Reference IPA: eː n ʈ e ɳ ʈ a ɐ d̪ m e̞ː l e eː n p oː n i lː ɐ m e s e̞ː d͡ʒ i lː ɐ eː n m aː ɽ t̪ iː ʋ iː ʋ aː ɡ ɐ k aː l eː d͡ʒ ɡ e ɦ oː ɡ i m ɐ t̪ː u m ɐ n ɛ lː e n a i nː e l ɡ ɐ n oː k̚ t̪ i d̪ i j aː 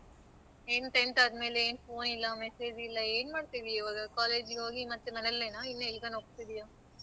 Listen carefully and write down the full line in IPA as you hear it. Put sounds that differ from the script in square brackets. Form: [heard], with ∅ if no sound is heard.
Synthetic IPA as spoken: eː n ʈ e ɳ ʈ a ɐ d̪ m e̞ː l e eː n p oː n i lː ɐ m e s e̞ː d͡ʒ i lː ɐ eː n m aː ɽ t̪ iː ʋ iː ʋ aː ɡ ɐ k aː l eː d͡ʒ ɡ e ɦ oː ɡ i m ɐ t̪ː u m ɐ n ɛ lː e n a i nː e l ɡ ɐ n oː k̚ t̪ i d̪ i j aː

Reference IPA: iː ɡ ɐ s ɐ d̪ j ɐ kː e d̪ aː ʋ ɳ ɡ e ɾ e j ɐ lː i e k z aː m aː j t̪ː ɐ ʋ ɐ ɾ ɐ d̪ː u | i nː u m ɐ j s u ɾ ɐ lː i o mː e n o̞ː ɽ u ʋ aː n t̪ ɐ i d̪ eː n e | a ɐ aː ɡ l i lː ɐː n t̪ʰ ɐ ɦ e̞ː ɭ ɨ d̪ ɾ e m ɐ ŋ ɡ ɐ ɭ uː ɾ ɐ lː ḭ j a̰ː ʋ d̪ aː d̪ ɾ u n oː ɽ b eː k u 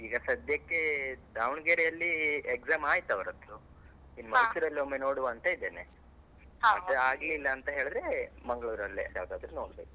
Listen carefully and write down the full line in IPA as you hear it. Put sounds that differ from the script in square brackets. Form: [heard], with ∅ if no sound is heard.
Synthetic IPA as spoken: iː ɡ ɐ s ɐ d̪ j ɐ kː e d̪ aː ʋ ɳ ɡ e ɾ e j ɐ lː i e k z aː m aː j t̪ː ɐ ʋ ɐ ɾ ɐ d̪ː u | i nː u m ɐ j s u ɾ ɐ lː i o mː e n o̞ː ɽ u ʋ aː n t̪ ɐ i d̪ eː n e | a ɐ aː ɡ l i lː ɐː n [t̪] ɐ ɦ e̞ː ɭ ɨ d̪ ɾ e m ɐ ŋ ɡ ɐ ɭ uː ɾ ɐ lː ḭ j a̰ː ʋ d̪ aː d̪ ɾ u n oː ɽ b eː k u

